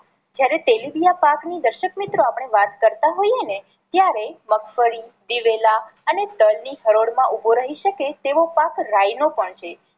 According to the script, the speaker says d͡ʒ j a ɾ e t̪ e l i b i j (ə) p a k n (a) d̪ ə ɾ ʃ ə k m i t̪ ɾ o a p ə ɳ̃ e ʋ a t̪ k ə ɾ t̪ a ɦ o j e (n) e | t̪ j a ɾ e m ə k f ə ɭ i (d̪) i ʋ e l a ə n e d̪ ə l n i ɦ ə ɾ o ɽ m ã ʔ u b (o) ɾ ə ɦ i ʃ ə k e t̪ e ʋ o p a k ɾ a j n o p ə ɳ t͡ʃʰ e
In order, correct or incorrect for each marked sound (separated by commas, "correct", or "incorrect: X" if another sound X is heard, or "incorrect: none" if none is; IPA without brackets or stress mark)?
incorrect: a, incorrect: i, correct, correct, correct